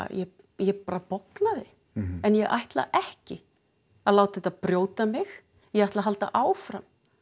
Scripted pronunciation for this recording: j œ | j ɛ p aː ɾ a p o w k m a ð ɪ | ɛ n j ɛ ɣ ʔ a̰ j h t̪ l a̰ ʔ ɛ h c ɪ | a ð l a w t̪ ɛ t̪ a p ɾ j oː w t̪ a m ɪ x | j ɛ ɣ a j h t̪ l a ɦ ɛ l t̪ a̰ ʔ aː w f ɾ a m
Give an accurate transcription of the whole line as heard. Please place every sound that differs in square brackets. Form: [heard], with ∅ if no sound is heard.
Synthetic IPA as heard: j [ɛ] | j ɛ p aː ɾ a p o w k [n] a ð ɪ | ɛ n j ɛ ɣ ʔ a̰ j h t̪ l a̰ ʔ ɛ h c ɪ | a ð l a w t̪ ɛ t̪ a p ɾ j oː w t̪ a m ɪ x | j ɛ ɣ a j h t̪ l a ɦ [a] l t̪ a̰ ʔ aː w f ɾ a m

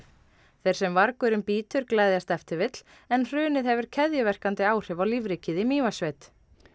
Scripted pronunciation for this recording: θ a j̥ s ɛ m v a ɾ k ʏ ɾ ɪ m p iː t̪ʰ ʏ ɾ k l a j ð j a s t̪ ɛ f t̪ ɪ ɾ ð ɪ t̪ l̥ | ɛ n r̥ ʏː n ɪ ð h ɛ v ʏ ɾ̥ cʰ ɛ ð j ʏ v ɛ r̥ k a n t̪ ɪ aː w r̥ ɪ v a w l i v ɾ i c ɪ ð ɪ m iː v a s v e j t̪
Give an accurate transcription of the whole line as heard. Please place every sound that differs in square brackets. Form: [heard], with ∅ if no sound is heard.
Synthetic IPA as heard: θ [e] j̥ s ɛ m v a ɾ k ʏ ɾ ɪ m p iː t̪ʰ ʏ ɾ k l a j ð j a s t̪ ɛ f t̪ ɪ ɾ [v] ɪ t̪ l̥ | ɛ n r̥ ʏː n ɪ ð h ɛ v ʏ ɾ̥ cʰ ɛ ð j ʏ v ɛ r̥ k a n t̪ ɪ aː w r̥ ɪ v a w l i v ɾ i c ɪ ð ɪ m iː v a s v e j t̪

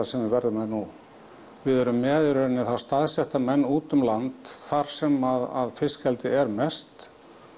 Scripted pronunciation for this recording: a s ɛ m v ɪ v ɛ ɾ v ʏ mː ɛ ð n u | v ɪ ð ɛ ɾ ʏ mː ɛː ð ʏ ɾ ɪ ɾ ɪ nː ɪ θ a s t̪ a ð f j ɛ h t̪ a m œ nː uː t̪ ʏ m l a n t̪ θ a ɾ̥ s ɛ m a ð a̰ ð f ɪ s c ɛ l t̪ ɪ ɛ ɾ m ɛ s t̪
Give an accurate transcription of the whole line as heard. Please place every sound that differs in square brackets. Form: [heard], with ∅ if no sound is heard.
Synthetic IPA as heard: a s ɛ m v ɪ v ɛ ɾ [ð] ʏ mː ɛ ð n u | v ɪ ð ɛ ɾ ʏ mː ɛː ð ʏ ɾ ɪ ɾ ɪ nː ɪ θ a s t̪ a ð [s] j ɛ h t̪ a m [ɛ] nː uː t̪ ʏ m l a n t̪ θ a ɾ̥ s ɛ m a ð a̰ ð f ɪ s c ɛ l t̪ ɪ ɛ ɾ m ɛ s t̪

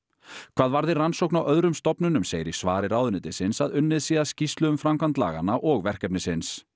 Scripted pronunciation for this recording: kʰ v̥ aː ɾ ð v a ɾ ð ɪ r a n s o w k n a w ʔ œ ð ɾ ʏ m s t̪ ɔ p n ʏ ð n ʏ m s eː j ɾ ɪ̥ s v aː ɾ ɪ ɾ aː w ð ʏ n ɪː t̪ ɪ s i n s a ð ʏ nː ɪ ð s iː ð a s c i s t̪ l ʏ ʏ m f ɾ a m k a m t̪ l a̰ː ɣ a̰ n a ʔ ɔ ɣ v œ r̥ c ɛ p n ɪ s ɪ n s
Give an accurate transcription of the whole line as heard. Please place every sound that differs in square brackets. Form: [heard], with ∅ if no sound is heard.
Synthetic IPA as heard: kʰ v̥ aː [∅] ð v a ɾ ð ɪ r a n s o w k n a w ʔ œ ð ɾ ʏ m s t̪ ɔ p n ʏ [∅] n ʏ m s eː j ɾ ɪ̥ s v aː ɾ ɪ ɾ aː w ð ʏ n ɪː t̪ ɪ s [ɪ] n s a ð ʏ nː ɪ ð s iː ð a s c i s t̪ l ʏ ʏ m f ɾ a m k a [n] t̪ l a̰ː ɣ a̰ n a ʔ ɔ ɣ v [ɛ] r̥ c ɛ p n ɪ s ɪ n s

